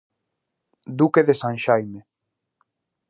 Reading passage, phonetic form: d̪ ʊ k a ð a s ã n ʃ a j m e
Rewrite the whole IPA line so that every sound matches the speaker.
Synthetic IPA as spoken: d̪ u k e ð e s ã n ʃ a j m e